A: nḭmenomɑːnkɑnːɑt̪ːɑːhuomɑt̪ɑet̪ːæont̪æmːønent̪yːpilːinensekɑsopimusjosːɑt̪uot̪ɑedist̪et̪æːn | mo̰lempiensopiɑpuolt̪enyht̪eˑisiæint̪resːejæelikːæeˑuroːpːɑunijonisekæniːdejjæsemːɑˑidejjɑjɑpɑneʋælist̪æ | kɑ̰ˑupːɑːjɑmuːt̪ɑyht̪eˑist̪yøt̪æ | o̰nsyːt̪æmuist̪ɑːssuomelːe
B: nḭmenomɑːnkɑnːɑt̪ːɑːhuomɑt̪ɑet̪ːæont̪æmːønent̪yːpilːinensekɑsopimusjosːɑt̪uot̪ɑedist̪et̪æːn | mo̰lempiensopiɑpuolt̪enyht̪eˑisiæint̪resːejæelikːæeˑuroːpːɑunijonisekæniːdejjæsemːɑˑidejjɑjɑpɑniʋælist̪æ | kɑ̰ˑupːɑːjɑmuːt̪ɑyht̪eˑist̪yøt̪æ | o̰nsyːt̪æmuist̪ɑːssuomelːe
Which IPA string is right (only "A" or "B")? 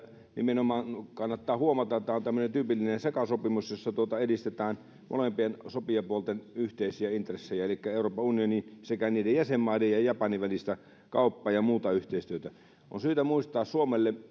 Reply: B